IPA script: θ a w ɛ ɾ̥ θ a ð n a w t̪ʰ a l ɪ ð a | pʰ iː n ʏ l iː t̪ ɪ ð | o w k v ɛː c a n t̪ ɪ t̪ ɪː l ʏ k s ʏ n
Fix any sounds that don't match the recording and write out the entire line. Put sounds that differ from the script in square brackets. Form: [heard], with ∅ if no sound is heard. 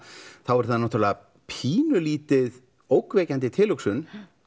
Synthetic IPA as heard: θ a w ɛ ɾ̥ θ a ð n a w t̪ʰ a l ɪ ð a | pʰ iː n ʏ l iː t̪ ɪ ð | o w k v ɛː c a n t̪ ɪ [t̪ʰ] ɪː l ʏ k s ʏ n